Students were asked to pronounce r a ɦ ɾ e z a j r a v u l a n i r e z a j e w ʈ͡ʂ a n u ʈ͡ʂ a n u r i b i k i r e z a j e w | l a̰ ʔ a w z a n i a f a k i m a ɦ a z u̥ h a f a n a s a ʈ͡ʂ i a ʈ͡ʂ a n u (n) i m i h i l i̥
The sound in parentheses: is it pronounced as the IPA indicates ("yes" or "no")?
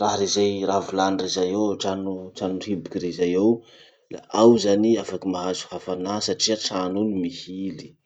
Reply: yes